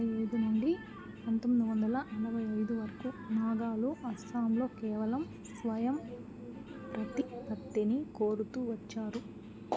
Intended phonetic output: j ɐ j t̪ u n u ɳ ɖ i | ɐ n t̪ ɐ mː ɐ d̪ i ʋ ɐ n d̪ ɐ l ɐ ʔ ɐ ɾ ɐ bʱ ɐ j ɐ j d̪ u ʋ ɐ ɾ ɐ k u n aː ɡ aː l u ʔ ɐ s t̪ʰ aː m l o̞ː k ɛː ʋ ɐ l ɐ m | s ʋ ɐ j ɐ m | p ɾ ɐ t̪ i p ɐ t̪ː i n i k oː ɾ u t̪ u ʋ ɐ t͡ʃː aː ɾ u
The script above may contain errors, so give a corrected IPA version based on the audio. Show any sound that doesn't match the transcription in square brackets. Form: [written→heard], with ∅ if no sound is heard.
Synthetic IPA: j ɐ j [t̪→d̪] u n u ɳ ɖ i | ɐ n t̪ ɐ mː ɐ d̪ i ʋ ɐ n d̪ ɐ l ɐ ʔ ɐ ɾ ɐ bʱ ɐ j ɐ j d̪ u ʋ ɐ ɾ ɐ k u n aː ɡ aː l u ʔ ɐ s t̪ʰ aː m l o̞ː k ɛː ʋ ɐ l ɐ m | s ʋ ɐ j ɐ m | p ɾ ɐ t̪ i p ɐ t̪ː i n i k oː ɾ u t̪ u ʋ ɐ t͡ʃː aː ɾ u